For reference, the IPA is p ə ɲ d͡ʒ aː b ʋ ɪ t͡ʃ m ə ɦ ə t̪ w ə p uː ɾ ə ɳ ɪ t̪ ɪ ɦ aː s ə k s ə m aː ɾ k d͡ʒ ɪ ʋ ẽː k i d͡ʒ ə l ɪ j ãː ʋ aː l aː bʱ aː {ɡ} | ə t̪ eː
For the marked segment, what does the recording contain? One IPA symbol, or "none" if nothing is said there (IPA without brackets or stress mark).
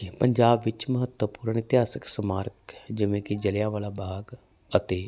ɡ